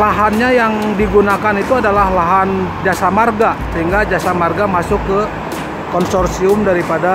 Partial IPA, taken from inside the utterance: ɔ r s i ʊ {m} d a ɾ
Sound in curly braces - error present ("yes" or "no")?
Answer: no